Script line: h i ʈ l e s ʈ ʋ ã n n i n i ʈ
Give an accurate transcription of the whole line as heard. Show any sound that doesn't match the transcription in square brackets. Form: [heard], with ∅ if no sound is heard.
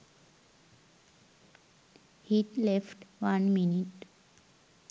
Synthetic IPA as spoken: h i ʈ l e [f] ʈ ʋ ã n [m] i n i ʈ